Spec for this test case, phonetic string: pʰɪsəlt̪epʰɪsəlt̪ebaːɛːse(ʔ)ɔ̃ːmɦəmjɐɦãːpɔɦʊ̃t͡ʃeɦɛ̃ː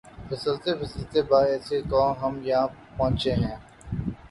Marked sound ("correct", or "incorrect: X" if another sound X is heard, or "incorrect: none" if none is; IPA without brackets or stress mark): incorrect: k